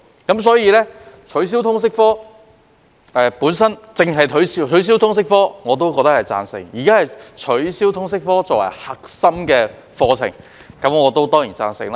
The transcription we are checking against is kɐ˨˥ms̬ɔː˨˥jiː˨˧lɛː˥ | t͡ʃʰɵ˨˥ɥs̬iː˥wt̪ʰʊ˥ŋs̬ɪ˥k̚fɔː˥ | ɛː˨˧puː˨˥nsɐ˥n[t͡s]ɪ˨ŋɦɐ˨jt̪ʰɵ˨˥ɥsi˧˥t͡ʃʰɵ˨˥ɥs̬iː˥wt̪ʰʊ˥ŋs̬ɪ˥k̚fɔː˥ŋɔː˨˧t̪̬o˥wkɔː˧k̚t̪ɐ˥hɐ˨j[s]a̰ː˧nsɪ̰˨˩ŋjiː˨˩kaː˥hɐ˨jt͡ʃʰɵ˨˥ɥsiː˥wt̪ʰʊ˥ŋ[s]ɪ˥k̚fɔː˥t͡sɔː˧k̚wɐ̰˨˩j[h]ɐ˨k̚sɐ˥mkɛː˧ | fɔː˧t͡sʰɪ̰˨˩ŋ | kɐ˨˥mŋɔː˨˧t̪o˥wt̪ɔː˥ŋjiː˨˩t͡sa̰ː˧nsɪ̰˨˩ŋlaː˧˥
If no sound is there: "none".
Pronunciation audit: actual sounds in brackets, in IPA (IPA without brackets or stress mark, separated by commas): t͡s, t͡s, s, h